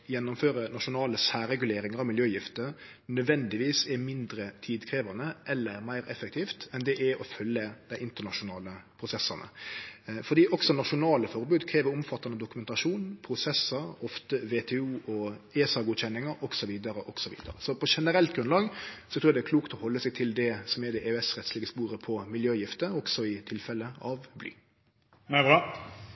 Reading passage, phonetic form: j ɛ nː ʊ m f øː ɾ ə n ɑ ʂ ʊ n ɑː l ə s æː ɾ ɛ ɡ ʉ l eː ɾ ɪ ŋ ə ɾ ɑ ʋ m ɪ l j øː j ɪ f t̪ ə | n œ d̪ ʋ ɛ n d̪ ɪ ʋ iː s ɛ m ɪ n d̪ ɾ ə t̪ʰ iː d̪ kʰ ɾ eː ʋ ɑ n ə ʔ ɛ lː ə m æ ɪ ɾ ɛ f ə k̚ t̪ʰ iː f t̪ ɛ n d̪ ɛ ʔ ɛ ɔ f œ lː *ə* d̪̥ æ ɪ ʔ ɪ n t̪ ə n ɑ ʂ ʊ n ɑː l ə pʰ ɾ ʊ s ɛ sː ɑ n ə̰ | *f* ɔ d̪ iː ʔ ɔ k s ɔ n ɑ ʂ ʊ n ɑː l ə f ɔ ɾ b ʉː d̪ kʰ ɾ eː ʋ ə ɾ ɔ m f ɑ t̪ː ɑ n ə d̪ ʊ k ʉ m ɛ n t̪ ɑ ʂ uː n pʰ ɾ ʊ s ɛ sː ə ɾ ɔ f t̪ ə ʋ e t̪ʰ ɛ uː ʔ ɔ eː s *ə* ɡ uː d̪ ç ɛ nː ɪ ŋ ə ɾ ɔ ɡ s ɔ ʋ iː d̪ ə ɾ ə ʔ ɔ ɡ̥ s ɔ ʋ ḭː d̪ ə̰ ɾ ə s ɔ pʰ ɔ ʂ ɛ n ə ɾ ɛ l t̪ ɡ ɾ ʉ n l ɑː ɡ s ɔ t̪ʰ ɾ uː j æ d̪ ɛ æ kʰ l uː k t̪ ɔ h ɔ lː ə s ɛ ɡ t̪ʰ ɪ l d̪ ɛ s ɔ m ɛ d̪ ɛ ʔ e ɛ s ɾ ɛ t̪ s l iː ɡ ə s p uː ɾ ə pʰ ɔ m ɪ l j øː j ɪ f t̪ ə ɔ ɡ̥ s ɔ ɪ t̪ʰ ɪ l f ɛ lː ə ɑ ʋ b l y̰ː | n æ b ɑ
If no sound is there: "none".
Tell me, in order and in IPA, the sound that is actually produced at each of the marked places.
ə, f, ɑ

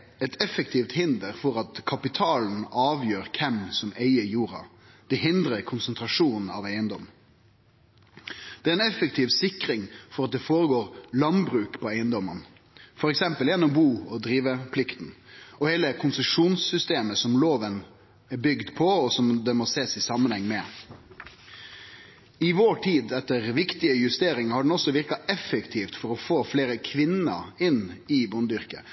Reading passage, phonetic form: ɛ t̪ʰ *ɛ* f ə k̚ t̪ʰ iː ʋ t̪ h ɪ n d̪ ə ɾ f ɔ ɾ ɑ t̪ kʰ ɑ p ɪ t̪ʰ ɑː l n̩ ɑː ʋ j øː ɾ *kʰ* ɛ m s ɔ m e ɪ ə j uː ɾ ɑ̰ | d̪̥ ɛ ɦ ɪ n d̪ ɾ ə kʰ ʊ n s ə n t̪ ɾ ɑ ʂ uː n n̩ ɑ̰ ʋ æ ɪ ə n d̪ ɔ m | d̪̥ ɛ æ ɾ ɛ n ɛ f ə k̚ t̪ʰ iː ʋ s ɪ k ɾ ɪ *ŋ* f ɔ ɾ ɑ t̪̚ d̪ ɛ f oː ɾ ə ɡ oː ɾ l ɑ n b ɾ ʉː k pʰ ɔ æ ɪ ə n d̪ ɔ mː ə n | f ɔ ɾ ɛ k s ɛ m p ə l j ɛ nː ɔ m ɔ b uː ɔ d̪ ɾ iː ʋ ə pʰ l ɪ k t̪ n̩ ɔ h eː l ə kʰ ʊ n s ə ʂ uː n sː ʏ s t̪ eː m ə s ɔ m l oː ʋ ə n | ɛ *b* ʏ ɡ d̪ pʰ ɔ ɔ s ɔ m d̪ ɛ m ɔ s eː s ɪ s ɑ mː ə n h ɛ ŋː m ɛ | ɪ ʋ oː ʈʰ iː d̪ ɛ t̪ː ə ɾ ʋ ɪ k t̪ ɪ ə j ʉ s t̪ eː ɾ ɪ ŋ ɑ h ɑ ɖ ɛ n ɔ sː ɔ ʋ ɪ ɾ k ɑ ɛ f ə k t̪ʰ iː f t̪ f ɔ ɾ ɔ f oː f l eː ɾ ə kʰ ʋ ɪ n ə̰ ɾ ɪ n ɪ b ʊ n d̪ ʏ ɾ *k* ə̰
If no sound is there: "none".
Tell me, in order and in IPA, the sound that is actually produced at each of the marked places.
ɛ, kʰ, ŋ, b, k

